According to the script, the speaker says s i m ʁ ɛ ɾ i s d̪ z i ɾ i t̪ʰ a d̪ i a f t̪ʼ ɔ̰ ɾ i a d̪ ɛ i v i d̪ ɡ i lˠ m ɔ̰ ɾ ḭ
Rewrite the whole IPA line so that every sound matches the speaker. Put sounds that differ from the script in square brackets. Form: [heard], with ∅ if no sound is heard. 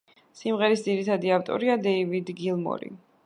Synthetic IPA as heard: s i m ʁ ɛ ɾ i s d̪ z i ɾ i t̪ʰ a d̪ i a f t̪ʼ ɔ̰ ɾ i a d̪ ɛ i v i d̪ ɡ i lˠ m ɔ̰ ɾ ḭ